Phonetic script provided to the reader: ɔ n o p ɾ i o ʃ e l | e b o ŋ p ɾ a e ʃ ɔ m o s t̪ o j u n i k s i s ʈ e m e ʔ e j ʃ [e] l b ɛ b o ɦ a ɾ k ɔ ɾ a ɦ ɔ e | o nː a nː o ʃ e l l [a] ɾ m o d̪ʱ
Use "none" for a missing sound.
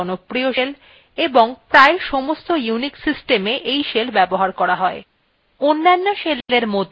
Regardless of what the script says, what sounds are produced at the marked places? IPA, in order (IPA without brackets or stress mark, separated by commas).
e, e